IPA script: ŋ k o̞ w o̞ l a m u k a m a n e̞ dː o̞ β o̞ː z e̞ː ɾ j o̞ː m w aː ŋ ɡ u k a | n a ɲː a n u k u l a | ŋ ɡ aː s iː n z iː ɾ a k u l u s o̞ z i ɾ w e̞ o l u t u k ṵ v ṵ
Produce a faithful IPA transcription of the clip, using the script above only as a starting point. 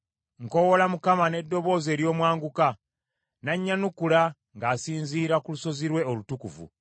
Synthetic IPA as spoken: ŋ k o̞ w o̞ l a m u k a m a n e̞ dː o̞ β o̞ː z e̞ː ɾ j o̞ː m w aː ŋ ɡ u k a | n a ɲː a n u k u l a | ŋ ɡ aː s iː n z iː ɾ a k u l u s o̞ z i ɾ w e̞ o l u t u k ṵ v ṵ